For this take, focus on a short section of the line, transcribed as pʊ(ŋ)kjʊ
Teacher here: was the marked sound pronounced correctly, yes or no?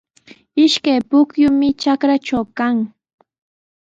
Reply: no